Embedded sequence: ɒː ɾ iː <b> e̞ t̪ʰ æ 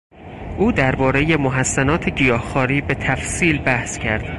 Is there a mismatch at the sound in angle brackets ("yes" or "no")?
no